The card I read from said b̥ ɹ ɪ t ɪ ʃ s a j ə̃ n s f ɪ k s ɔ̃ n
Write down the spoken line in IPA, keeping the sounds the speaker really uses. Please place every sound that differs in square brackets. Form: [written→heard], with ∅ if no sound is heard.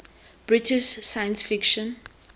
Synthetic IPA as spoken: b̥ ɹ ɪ t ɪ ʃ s a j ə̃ n s f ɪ k [s→ʃ] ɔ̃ n